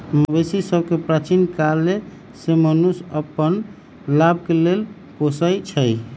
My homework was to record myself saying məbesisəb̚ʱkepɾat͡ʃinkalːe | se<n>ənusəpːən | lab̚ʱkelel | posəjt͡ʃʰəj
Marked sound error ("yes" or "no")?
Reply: yes